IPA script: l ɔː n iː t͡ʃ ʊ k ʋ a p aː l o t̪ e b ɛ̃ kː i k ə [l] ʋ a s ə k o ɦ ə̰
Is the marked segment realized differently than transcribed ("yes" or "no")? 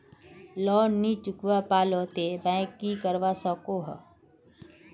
yes